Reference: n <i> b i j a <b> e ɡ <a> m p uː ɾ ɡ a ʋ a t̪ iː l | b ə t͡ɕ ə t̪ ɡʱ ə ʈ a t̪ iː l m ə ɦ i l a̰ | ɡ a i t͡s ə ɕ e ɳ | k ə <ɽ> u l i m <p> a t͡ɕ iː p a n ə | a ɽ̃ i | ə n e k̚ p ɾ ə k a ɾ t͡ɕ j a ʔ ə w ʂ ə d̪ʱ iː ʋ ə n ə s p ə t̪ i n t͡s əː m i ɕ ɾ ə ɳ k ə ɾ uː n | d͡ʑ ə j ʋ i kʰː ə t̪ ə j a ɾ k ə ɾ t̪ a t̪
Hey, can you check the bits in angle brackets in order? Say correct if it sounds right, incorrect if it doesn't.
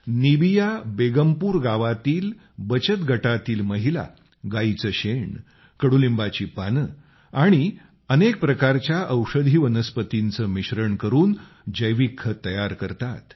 correct, correct, incorrect: ə, correct, incorrect: b

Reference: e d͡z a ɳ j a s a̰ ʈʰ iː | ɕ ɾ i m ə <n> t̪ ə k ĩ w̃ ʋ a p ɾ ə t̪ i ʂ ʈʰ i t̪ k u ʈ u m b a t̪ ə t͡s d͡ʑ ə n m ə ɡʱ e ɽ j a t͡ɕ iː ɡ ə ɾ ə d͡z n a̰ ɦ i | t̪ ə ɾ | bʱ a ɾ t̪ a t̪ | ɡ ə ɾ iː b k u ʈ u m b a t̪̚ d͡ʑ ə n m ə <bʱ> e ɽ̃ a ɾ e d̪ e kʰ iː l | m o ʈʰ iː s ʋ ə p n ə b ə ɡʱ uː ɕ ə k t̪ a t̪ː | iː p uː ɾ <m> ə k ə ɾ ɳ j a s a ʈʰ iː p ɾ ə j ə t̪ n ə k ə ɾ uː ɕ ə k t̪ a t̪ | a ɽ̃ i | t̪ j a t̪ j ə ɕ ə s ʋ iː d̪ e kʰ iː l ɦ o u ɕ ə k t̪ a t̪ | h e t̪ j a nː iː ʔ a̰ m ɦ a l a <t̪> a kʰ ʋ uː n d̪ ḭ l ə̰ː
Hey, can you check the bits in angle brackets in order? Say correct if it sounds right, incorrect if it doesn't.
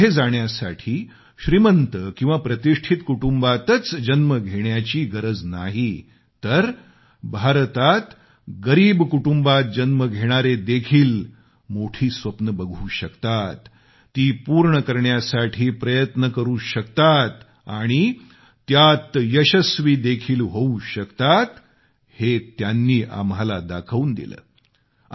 correct, incorrect: ɡʱ, incorrect: ɳ, incorrect: d̪

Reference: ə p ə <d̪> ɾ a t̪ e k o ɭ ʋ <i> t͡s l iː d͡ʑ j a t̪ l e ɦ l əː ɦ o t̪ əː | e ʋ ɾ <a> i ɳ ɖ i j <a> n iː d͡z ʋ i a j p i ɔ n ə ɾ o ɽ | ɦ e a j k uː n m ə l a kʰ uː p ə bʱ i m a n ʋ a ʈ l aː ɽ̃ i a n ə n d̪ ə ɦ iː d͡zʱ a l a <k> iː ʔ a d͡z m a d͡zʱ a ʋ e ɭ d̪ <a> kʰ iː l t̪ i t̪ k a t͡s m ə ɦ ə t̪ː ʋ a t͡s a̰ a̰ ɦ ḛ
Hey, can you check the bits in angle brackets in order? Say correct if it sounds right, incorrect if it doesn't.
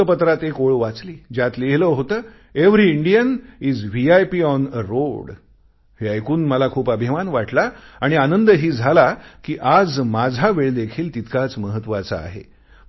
incorrect: t̪, incorrect: a, incorrect: i, incorrect: ə, correct, incorrect: e

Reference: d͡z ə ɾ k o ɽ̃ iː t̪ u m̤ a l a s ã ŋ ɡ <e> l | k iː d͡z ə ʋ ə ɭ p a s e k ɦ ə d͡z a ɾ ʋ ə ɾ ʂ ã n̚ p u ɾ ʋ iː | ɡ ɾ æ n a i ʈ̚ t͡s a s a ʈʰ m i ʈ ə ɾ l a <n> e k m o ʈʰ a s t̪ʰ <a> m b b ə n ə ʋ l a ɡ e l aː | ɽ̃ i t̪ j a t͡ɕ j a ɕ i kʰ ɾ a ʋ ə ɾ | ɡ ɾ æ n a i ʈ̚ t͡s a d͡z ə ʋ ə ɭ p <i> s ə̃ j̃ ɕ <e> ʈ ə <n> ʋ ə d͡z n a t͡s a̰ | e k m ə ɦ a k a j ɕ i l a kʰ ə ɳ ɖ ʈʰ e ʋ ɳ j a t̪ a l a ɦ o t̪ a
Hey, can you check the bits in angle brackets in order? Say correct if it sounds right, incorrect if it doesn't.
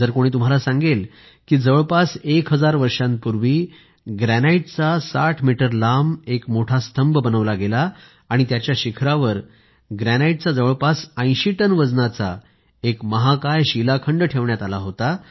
correct, incorrect: m, incorrect: ə, incorrect: a, incorrect: i, correct

